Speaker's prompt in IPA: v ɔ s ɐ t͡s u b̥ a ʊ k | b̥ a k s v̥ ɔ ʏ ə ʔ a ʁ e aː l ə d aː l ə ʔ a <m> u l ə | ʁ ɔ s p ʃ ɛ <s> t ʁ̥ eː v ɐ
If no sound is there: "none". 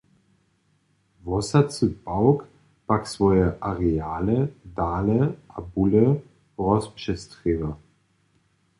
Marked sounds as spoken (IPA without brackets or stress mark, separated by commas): b, s